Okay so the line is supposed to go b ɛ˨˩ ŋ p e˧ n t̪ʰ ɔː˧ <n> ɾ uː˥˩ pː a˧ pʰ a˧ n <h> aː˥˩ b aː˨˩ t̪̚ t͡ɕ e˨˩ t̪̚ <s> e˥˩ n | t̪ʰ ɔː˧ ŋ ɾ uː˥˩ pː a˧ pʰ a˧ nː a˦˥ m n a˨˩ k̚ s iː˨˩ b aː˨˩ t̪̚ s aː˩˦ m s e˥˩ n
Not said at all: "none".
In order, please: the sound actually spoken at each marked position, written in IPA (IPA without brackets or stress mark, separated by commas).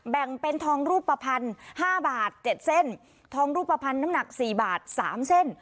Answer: ŋ, h, s